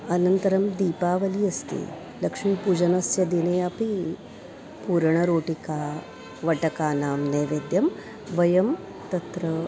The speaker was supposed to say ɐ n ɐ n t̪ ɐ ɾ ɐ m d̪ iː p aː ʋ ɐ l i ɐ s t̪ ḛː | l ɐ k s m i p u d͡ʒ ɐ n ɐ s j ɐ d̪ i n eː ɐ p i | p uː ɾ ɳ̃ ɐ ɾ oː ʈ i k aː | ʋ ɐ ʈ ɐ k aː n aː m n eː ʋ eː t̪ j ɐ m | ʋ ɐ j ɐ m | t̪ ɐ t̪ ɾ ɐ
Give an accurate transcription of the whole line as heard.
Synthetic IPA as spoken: ɐ n ɐ n t̪ ɐ ɾ ɐ m d̪ iː p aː ʋ ɐ l i ɐ s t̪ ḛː | l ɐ k ʂ m i p u d͡ʒ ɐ n ɐ s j ɐ d̪ i n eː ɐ p i | p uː ɾ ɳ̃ ɐ ɾ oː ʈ i k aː | ʋ ɐ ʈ ɐ k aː n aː m n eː ʋ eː d̪ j ɐ m | ʋ ɐ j ɐ m | t̪ ɐ t̪ ɾ ɐ